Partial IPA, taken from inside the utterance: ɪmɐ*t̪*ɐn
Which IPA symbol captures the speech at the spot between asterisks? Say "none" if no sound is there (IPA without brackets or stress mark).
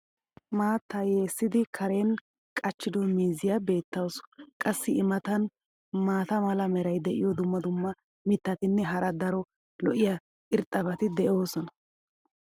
t̪